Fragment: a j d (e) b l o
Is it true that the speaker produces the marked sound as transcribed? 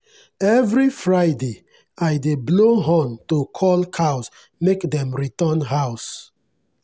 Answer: yes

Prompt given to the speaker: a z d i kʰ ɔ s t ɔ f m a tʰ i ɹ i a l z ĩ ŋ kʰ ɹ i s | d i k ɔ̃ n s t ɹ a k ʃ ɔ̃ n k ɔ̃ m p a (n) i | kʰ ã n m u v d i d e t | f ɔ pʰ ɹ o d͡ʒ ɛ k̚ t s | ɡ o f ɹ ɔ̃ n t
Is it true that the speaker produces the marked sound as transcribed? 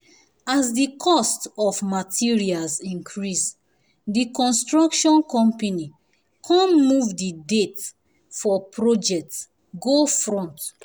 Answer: yes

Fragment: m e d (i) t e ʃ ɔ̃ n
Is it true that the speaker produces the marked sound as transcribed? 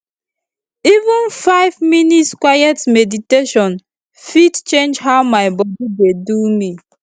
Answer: yes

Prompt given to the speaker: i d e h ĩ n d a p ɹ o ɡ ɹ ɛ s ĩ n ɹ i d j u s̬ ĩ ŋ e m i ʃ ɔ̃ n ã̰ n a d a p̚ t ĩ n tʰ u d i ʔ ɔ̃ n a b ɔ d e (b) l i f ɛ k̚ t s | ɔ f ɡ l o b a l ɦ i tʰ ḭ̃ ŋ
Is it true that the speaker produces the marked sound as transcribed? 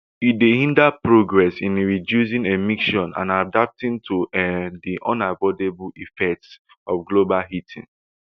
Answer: yes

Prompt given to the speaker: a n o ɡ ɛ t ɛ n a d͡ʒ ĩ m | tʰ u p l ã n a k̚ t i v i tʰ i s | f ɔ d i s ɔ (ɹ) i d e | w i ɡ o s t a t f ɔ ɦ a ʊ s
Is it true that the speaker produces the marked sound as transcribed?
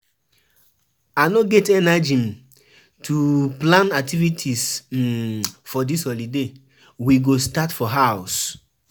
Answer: no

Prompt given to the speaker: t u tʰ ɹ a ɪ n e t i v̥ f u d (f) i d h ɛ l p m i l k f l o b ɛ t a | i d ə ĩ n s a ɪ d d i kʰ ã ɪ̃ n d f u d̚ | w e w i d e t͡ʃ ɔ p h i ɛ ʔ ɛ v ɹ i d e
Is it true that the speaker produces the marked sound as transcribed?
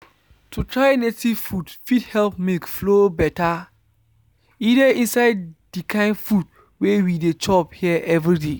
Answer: yes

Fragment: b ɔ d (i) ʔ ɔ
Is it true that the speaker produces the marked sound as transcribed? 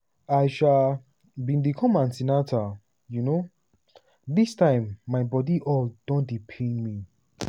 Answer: yes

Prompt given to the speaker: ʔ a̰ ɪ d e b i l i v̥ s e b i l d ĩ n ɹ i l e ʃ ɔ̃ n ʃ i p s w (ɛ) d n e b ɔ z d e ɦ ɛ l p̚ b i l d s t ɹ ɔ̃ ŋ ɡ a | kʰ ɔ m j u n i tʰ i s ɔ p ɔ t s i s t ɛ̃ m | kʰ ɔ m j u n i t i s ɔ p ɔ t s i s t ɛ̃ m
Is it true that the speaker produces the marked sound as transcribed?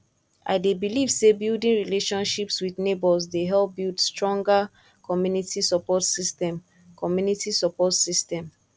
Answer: no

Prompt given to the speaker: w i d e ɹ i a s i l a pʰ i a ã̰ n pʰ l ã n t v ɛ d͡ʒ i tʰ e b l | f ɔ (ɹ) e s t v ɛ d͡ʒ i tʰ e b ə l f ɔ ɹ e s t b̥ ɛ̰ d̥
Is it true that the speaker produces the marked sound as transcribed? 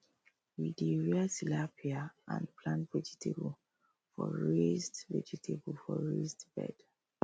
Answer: yes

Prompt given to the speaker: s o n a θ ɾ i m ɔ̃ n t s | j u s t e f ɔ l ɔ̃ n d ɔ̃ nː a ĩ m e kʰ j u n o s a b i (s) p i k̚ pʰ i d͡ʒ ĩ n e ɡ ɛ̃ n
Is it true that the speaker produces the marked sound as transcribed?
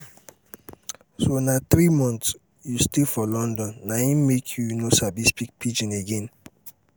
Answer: yes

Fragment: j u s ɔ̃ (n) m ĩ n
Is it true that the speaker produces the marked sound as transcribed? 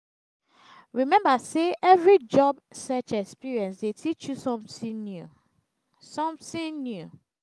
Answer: no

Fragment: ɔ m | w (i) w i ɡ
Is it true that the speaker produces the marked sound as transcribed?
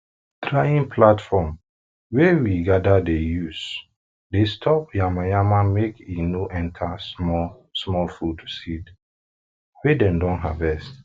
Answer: no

